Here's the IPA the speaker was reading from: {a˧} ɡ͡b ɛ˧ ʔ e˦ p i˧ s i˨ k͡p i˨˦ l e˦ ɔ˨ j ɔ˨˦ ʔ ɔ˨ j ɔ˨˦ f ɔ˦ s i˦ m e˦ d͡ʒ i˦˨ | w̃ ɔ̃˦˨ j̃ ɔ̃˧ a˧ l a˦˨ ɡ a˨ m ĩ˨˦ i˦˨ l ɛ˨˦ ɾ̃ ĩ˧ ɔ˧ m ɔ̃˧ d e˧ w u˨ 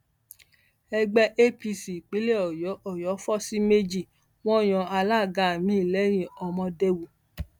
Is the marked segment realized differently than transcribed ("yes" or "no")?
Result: yes